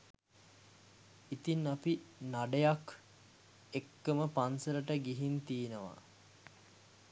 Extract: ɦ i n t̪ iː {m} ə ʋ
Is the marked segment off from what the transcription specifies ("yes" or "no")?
yes